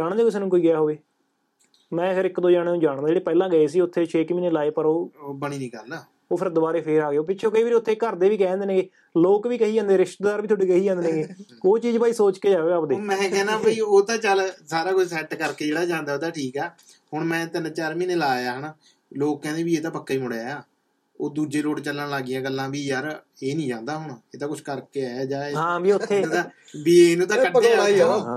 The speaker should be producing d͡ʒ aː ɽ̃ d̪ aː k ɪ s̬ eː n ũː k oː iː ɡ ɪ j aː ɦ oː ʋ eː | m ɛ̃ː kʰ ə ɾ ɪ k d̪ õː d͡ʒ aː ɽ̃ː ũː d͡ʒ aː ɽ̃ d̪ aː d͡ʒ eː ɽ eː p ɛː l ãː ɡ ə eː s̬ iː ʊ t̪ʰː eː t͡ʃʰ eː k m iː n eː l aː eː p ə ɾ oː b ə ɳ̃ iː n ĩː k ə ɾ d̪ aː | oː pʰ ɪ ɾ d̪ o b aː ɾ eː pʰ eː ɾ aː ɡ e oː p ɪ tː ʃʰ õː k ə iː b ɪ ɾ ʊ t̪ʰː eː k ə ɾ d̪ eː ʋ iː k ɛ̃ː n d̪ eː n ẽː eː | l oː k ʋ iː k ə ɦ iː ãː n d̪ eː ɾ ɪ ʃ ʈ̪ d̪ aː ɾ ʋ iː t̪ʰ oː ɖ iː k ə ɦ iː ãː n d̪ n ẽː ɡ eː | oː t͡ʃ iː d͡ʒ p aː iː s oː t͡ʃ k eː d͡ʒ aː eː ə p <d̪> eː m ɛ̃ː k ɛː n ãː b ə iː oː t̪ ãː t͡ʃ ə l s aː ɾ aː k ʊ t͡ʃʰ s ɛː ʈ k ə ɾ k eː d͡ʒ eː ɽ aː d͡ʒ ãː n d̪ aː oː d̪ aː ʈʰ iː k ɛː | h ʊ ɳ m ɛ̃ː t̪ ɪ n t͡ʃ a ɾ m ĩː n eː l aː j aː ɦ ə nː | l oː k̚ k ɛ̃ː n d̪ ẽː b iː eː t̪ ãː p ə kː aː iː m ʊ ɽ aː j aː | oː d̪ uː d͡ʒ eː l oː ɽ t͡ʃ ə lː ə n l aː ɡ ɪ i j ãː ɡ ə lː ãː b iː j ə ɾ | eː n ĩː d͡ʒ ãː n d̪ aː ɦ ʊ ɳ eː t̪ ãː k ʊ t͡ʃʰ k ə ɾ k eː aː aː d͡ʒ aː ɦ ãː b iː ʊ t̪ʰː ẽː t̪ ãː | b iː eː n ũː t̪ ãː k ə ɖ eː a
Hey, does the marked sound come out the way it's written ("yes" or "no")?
yes